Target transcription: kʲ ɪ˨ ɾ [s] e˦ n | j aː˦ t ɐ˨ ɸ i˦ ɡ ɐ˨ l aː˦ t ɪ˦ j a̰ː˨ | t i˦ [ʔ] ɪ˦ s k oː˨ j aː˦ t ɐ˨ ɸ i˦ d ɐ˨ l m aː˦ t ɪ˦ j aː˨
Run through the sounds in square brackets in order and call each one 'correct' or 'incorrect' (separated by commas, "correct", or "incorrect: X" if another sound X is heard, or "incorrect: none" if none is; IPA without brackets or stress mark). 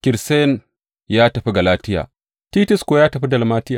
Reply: correct, incorrect: t